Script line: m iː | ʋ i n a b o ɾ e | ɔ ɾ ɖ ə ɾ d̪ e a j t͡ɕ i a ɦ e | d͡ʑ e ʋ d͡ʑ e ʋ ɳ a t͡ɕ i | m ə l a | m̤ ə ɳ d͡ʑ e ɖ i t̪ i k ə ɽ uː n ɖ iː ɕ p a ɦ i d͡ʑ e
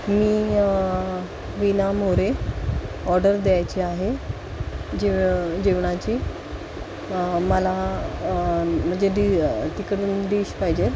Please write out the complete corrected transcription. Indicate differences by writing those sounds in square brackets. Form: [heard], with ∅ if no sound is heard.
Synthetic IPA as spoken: m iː | ʋ i n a [m] o ɾ e | ɔ ɾ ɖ ə ɾ d̪ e a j t͡ɕ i a ɦ e | d͡ʑ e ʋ d͡ʑ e ʋ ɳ a t͡ɕ i | m ə l a | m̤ ə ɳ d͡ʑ e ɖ i t̪ i k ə ɽ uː n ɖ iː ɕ p a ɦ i d͡ʑ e